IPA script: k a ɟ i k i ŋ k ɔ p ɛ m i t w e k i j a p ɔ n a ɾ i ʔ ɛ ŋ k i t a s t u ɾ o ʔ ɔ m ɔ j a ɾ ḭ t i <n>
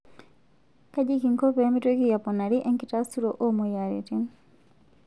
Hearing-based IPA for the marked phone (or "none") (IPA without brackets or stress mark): n